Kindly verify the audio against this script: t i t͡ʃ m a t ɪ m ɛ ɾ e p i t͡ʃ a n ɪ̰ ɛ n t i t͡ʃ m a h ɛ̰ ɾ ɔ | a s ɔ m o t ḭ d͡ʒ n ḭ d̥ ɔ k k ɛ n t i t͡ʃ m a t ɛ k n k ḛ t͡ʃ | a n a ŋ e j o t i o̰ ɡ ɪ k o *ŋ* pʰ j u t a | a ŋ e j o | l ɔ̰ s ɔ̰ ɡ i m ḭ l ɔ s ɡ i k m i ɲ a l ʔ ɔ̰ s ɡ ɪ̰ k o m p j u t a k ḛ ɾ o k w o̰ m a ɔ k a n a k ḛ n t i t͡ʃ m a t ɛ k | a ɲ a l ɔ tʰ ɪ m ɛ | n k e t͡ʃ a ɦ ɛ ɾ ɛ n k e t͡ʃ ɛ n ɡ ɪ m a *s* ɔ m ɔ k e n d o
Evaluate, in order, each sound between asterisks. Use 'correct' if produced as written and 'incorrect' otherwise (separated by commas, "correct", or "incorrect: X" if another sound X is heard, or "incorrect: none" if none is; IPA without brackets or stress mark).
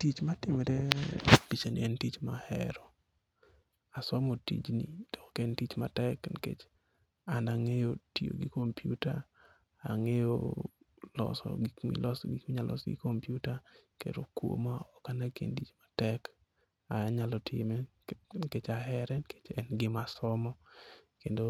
incorrect: m, correct